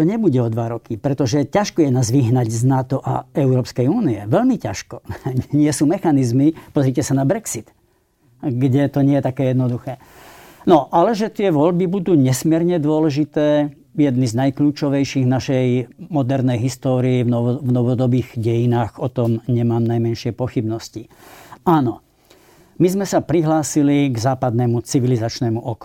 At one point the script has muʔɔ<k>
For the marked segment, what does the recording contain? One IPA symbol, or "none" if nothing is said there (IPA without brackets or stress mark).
k